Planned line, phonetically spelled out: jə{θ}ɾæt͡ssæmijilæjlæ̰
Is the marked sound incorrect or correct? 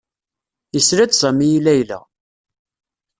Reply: incorrect